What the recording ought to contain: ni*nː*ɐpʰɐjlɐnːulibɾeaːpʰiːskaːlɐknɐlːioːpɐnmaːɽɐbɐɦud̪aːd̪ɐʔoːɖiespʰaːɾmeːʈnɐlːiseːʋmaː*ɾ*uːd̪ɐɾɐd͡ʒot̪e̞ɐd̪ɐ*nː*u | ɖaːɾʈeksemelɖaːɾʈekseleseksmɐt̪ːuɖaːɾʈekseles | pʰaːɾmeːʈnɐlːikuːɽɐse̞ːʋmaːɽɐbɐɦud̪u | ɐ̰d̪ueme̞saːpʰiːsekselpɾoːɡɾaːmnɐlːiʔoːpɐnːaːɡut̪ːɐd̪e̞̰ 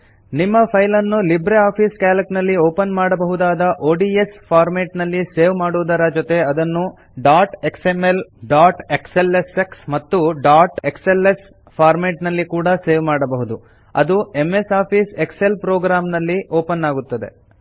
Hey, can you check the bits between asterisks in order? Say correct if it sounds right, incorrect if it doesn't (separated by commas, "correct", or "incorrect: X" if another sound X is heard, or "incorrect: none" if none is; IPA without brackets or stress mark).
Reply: incorrect: mː, incorrect: ɽ, correct